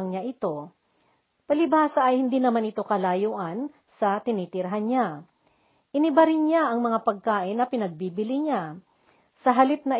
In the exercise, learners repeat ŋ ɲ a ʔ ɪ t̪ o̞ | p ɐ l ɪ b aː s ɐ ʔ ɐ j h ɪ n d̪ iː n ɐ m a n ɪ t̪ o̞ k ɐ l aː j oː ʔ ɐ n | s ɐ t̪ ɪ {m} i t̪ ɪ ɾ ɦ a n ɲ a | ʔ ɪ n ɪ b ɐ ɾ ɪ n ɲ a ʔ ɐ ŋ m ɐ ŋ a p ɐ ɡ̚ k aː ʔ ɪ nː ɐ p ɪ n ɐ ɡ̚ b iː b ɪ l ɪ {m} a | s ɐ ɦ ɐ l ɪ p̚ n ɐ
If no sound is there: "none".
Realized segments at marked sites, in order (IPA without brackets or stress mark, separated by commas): n, ɲ